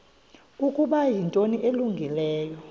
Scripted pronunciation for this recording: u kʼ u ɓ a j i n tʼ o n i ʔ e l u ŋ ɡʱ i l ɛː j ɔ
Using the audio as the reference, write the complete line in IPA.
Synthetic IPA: u kʼ u ɓ a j i n tʼ o n i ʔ e l u ŋ ɡʱ i l ɛː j ɔ

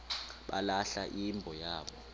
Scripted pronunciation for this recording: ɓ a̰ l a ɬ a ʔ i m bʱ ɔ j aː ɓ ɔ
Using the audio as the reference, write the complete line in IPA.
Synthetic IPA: ɓ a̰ l a ɬ a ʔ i m bʱ ɔ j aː ɓ ɔ

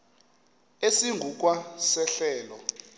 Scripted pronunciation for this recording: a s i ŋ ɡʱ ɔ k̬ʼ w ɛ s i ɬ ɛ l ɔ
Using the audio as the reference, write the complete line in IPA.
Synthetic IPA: e s i ŋ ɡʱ u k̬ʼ w a s ɛ ɬ ɛː l ɔ

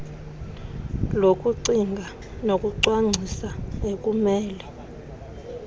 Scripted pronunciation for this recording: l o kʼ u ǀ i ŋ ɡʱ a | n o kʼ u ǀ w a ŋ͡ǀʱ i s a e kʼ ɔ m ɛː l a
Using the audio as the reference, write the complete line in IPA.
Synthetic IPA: l o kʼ u ǀ i ŋ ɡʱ a | n o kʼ u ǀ w a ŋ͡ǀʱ i s a e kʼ u m ɛː l ɛ

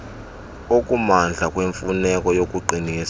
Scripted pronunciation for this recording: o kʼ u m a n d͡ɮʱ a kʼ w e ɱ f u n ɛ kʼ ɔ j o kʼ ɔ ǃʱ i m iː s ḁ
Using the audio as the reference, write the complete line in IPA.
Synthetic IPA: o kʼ u m a n d͡ɮʱ a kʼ w e ɱ f u n ɛ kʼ ɔ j o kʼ u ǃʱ i n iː s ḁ

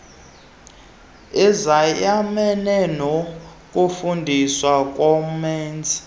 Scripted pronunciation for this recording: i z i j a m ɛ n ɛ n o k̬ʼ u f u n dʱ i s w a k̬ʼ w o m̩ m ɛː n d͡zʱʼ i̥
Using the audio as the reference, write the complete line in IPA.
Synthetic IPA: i z a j a m ɛ n ɛ n o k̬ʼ u f u n dʱ i s w a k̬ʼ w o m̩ m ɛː n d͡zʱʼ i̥

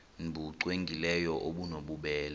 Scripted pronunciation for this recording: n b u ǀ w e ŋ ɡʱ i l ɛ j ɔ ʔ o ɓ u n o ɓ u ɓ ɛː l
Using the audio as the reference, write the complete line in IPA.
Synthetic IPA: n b u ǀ w e ŋ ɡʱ i l ɛ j ɔ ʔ o ɓ u n o ɓ u ɓ ɛː l

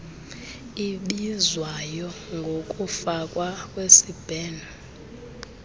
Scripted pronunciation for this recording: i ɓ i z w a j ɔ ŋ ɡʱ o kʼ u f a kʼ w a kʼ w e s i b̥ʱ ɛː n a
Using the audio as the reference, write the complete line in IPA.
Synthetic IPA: i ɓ i z w a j ɔ ŋ ɡʱ o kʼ u f a kʼ w a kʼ w e s i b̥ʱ ɛː n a

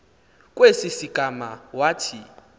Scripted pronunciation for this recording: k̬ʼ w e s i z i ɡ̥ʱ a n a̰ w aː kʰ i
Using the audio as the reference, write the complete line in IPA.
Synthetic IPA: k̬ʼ w e s i s i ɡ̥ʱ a m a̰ w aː tʰ i

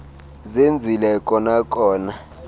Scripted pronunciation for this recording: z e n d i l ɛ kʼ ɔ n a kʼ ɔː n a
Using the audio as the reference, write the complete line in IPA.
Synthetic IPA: z e n d͡zʱ i l ɛ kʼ ɔ n a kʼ ɔː n a

